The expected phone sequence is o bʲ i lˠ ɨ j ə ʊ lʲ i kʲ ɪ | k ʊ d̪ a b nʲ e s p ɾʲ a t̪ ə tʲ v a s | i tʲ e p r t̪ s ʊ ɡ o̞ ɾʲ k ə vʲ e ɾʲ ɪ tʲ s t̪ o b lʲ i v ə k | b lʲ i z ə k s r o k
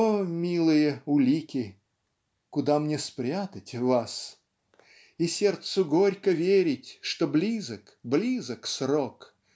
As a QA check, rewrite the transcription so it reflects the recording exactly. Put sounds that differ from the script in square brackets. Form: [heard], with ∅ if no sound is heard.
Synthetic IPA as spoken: o [mʲ] i lˠ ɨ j ə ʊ lʲ i kʲ ɪ | k ʊ d̪ a [m] nʲ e s p ɾʲ a t̪ ə tʲ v a s | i [sʲ] e [∅] r t̪ s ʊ ɡ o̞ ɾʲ k ə vʲ e ɾʲ ɪ tʲ [ʂ] t̪ o b lʲ i [z] ə k | b lʲ i z ə k s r o k